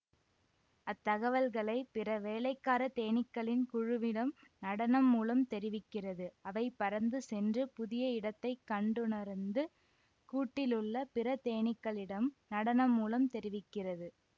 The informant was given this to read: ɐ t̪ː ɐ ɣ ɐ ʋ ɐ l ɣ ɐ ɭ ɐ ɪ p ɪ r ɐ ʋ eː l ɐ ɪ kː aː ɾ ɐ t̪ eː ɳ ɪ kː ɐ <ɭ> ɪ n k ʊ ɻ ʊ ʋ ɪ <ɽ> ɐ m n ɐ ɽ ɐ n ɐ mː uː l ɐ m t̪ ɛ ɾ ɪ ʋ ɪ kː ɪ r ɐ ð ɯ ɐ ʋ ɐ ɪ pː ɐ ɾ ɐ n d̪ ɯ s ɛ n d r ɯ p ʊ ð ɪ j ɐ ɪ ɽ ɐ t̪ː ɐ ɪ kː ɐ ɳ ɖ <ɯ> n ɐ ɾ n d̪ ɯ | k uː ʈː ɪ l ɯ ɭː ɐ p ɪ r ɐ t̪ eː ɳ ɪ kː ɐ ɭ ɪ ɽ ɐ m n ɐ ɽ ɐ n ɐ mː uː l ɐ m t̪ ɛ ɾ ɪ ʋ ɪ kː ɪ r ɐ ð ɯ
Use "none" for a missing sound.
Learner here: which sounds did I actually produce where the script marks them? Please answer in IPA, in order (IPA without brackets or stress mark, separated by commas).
ɭ, ɽ, ɯ